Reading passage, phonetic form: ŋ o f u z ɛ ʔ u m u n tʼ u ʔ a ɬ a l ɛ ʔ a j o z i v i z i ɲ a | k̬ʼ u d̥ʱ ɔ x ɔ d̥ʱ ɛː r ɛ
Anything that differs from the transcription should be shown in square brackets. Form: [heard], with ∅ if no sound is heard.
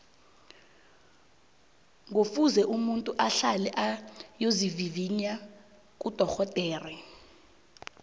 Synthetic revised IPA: ŋ o f u z ɛ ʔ u m u n tʼ u ʔ a ɬ a l ɛ ʔ a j o z i v i [v] i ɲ a | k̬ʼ u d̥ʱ ɔ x ɔ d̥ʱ ɛː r ɛ